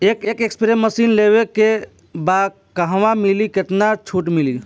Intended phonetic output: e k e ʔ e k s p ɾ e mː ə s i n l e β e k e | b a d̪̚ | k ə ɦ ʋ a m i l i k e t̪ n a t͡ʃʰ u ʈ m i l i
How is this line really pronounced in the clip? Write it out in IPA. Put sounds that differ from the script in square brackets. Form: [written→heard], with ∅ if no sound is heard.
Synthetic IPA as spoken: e k e [ʔ→k] e k s p ɾ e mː ə s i n l e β e k e | b a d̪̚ | k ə ɦ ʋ a m i l i k e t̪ n a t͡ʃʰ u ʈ m i l i

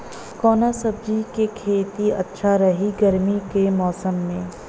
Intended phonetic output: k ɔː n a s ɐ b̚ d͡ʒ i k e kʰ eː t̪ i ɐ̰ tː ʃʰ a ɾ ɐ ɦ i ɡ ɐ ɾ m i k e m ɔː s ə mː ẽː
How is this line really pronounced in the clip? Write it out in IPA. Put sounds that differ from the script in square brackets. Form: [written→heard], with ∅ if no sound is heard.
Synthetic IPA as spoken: k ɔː n a s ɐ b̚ d͡ʒ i k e kʰ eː t̪ i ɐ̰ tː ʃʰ a ɾ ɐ ɦ i ɡ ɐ ɾ m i k e m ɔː s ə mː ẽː

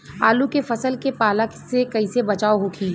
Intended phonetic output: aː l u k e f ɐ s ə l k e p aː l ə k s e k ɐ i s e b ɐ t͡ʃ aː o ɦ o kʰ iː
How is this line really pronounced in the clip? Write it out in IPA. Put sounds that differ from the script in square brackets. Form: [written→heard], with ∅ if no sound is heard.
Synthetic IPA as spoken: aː l u k e f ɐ s ə l k e p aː l ə k s e k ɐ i s e b ɐ t͡ʃ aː o ɦ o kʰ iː

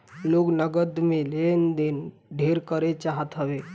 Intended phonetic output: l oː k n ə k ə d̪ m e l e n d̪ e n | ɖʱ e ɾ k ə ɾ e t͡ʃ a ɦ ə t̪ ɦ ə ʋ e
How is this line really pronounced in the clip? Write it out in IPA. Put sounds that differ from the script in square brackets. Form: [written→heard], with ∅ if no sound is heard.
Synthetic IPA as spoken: l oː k n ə [k→ɡ] ə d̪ m e l e n d̪ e n | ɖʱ e ɾ k ə ɾ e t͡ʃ a ɦ ə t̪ ɦ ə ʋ e

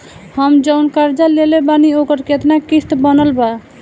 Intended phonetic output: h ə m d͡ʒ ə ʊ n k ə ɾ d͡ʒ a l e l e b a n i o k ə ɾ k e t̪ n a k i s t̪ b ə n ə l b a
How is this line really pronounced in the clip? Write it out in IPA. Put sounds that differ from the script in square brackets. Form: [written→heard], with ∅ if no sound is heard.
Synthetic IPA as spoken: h ə m d͡ʒ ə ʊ n k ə ɾ d͡ʒ a l e l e b a n i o k ə ɾ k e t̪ n a k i s t̪ b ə n ə l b a

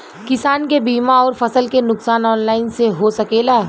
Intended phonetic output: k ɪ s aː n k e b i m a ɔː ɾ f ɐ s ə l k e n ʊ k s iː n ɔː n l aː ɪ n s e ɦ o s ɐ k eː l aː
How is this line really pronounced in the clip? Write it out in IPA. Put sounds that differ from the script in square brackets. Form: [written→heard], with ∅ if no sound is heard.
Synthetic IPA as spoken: k ɪ s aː n k e b [i→iː] m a ɔː ɾ f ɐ s ə l k e n ʊ k s [iː→aː] n ɔː n l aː ɪ n s e ɦ o s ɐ k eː l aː

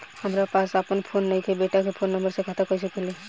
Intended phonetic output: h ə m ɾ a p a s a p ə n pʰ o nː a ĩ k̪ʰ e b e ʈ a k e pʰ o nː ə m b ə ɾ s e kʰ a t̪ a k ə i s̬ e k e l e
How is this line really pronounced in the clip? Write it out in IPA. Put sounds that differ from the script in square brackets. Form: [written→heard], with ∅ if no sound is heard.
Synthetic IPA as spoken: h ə m ɾ a p a s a p ə n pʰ o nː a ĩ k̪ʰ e b e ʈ a k e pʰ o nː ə m b ə ɾ s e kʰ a t̪ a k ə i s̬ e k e l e

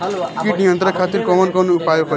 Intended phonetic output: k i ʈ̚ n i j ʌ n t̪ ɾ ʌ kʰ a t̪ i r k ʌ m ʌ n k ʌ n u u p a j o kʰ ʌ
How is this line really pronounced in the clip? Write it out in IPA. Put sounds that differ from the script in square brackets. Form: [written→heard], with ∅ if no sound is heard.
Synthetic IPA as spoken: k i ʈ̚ n i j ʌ n t̪ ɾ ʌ kʰ a t̪ i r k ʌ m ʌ n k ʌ n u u p a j o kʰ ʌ

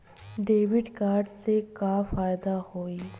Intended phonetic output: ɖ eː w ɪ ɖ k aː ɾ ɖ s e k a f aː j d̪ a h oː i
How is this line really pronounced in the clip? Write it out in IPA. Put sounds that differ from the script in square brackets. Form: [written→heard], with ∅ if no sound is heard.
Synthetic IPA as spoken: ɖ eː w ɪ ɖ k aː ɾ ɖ s e k a f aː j d̪ a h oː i

